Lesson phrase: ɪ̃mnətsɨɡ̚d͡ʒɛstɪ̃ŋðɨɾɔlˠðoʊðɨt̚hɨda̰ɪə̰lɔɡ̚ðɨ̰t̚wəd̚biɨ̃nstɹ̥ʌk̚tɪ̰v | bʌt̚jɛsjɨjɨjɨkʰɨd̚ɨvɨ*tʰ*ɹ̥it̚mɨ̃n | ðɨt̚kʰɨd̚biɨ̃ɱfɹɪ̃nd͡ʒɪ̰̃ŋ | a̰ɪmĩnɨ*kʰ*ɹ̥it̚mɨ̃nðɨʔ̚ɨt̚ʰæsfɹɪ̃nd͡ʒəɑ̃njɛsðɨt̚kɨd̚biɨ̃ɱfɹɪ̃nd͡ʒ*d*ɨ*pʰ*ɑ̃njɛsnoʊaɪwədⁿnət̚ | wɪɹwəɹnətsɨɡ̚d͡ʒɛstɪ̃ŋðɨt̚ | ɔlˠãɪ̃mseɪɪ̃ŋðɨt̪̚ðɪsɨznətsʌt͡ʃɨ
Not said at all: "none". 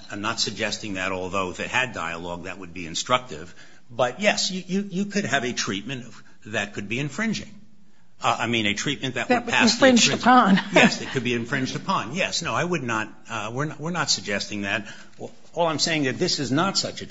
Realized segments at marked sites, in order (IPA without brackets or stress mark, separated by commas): tʰ, tʰ, d, pʰ